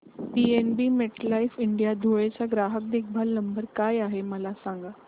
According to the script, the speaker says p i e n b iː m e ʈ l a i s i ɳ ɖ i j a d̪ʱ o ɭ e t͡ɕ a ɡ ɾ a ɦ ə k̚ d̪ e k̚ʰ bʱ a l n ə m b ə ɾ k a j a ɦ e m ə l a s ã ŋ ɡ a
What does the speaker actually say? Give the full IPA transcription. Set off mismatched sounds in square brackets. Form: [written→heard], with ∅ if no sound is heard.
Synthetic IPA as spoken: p i e n b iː m e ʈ l a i [s→f] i ɳ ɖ i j a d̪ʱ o ɭ e t͡ɕ a ɡ ɾ a ɦ ə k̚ d̪ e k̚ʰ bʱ a l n ə m b ə ɾ k a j a ɦ e m ə l a s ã ŋ ɡ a